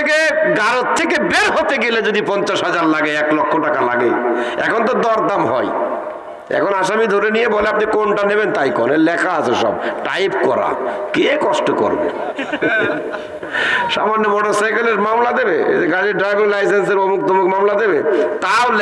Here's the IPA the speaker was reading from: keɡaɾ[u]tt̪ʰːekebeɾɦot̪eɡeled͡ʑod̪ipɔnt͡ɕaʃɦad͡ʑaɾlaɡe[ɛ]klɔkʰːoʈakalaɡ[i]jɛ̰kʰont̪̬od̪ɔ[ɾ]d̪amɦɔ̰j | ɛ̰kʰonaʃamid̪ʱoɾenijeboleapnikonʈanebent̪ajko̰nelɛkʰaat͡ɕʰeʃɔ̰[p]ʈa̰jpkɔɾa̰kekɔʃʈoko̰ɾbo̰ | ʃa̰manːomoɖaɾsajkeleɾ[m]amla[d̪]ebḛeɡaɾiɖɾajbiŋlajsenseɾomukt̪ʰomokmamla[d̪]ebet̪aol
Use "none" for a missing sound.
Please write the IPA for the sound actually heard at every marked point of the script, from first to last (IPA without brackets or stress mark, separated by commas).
o, ɛ, e, ɾ, b, m, d̪, d̪